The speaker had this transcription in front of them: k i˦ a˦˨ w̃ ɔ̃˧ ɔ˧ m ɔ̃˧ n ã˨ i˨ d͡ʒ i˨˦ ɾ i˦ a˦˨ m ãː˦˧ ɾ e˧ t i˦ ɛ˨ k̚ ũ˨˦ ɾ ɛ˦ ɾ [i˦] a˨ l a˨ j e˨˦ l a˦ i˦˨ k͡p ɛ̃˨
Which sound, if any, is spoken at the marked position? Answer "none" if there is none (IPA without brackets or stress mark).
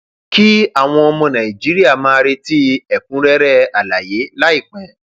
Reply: ɛ˦